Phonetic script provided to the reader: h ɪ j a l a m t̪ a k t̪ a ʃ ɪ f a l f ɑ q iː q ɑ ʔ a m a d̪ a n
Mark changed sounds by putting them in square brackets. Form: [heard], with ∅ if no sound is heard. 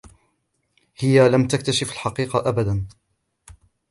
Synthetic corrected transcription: h ɪ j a l a m t̪ a k t̪ a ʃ ɪ f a l [ħ] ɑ q iː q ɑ ʔ a [b] a d̪ a n

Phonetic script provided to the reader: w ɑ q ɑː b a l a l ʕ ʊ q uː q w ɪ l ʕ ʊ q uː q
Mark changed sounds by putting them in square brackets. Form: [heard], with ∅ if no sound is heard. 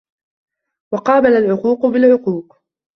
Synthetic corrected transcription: w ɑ q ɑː b a l a l ʕ ʊ q uː q [b] ɪ l ʕ ʊ q uː q

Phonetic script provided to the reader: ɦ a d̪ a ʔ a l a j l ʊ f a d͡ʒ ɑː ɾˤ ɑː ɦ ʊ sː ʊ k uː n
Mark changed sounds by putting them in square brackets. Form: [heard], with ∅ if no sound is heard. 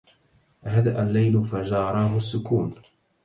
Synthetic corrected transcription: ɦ a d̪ a ʔ a [lː] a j l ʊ f a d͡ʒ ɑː ɾˤ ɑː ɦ ʊ sː ʊ k uː n

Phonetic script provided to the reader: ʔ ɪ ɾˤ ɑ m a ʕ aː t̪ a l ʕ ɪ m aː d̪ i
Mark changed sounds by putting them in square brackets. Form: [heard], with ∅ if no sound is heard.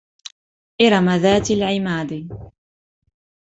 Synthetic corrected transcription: ʔ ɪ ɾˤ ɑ m a [ð] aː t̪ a l ʕ ɪ m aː d̪ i

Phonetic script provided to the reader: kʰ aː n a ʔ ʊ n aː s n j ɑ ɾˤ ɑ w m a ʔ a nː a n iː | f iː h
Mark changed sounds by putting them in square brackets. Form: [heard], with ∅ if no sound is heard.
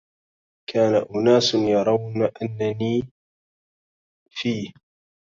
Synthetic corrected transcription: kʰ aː n a ʔ ʊ n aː s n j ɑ ɾˤ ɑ w [n] a ʔ a nː a n iː | f iː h

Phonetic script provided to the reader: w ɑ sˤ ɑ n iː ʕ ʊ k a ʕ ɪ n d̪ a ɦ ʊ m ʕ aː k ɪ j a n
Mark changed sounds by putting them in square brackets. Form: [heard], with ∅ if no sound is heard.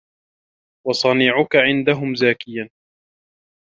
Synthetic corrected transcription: w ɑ sˤ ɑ n iː ʕ ʊ k a ʕ ɪ n d̪ a ɦ ʊ m [z] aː k ɪ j a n

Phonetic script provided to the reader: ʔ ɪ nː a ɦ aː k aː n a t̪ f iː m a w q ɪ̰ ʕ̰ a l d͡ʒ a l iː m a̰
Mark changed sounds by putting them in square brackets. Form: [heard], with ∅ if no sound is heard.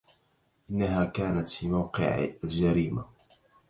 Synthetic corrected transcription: ʔ ɪ nː a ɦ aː k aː n a t̪ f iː m a w q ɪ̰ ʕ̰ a l d͡ʒ a [ɾ] iː m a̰

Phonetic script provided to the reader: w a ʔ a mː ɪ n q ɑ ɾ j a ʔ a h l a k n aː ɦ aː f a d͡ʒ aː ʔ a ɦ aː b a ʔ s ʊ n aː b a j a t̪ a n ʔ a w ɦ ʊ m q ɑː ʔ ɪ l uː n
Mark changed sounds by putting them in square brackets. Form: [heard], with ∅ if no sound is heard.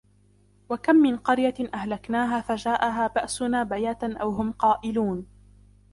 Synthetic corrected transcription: w a [k] a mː ɪ n q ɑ ɾ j a ʔ a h l a k n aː ɦ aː f a d͡ʒ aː ʔ a ɦ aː b a ʔ s ʊ n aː b a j a t̪ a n ʔ a w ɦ ʊ m q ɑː ʔ ɪ l uː n

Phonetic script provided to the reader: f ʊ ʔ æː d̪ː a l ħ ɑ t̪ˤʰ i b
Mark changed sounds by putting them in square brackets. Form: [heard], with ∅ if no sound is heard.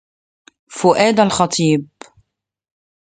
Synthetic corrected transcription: f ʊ ʔ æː [d̪] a l [x] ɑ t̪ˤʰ [iː] b

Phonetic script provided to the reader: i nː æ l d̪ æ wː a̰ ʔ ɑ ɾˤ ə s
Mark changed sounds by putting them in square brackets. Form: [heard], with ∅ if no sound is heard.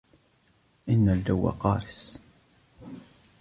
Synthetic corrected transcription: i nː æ l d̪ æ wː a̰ [q] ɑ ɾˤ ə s

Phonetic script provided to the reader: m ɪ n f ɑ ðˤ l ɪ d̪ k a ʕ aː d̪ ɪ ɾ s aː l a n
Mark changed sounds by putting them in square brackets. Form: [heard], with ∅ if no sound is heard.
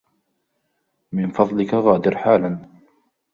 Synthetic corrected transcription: m ɪ n f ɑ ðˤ l ɪ [∅] k a [ɣ] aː d̪ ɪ ɾ [ħ] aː l a n

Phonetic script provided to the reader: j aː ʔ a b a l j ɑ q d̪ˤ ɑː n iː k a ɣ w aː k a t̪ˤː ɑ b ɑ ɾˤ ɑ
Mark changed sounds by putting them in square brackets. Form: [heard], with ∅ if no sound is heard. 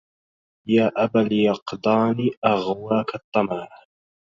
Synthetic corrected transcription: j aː ʔ a b a l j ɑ q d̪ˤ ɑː n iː [ʔ] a ɣ w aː k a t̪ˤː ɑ [m] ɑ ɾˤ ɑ

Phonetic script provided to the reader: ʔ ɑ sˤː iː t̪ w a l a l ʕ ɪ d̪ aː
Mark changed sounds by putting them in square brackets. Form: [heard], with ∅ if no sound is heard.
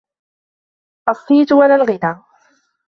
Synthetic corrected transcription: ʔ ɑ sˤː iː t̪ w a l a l [ɣ] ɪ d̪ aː

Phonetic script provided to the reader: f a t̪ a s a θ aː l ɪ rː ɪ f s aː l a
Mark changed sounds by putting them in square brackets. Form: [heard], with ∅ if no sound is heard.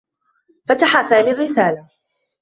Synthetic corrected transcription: f a t̪ a [ħ] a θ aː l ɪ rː ɪ [∅] s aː l a

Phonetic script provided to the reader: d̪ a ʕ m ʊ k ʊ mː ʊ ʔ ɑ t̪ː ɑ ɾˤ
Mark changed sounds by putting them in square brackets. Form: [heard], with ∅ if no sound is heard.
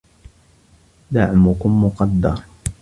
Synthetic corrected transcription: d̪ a ʕ m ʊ k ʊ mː ʊ [q] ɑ [d̪ː] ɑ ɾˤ

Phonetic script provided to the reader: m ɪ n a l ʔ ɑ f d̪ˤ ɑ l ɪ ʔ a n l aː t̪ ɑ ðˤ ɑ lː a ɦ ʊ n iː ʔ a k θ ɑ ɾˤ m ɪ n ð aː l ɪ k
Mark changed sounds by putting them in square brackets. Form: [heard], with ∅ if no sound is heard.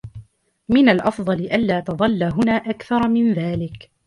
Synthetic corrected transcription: m ɪ n a l ʔ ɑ f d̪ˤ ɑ l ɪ ʔ a n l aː t̪ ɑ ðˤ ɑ lː a ɦ ʊ n [aː] ʔ a k θ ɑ ɾˤ m ɪ n ð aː l ɪ k

